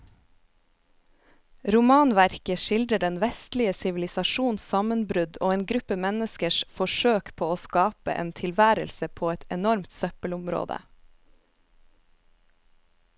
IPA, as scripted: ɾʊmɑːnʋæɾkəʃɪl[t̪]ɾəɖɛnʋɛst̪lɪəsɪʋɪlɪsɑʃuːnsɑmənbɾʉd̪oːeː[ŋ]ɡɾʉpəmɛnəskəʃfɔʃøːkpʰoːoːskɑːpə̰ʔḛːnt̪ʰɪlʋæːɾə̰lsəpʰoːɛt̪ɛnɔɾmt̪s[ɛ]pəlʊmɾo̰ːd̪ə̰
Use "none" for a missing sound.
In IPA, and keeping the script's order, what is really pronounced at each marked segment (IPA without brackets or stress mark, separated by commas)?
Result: d̪, n, œ